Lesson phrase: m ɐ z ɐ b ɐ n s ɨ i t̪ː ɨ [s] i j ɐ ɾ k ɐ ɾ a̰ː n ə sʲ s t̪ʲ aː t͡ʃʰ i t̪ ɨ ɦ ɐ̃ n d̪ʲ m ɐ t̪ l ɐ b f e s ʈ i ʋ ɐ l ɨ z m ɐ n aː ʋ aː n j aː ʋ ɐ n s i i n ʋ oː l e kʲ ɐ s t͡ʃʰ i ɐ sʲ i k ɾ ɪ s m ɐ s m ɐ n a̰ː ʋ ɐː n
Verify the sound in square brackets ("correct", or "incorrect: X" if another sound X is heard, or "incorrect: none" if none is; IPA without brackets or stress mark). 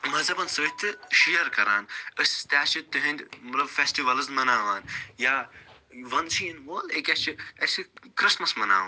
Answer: incorrect: ʃ